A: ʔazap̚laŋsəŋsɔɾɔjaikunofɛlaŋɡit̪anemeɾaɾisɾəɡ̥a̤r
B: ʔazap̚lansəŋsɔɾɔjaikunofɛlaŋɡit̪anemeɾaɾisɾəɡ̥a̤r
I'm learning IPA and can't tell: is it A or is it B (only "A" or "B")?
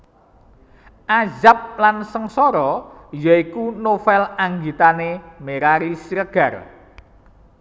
B